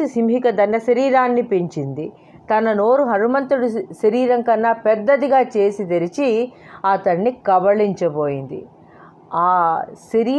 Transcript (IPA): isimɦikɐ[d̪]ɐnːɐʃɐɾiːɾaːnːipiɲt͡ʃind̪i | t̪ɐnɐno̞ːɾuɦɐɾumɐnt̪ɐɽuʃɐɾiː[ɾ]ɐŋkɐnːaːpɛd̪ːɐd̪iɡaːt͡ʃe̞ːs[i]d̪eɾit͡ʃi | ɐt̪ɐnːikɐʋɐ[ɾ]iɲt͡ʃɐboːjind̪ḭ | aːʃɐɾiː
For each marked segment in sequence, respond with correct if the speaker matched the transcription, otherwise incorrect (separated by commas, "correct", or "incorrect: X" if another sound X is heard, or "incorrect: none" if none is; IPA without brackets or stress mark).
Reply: correct, correct, correct, incorrect: ɭ